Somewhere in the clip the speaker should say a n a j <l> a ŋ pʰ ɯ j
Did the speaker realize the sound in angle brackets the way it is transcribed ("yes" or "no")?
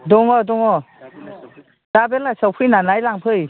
yes